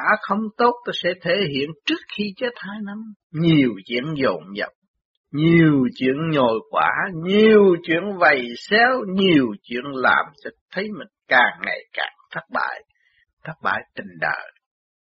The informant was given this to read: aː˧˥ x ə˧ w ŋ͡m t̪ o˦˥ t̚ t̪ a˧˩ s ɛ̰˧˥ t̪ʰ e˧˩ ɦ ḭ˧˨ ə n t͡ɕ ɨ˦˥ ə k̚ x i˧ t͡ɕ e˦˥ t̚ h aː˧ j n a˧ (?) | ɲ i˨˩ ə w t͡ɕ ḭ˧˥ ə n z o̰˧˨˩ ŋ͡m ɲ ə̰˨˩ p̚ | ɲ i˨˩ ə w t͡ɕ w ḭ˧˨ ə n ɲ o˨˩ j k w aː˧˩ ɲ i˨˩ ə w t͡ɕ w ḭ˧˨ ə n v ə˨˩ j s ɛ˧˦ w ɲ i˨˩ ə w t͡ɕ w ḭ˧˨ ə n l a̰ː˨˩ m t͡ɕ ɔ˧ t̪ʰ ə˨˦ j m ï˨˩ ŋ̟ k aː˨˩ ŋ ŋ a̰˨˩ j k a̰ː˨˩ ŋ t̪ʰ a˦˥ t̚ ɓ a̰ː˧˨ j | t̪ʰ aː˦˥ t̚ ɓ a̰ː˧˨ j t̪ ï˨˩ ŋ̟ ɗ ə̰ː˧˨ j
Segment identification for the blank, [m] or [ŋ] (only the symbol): m